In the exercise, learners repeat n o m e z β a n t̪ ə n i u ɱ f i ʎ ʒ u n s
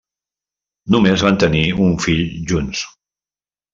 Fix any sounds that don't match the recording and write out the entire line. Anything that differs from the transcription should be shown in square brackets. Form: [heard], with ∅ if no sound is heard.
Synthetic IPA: n [u] m e z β a n t̪ ə n i u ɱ f i ʎ ʒ u n s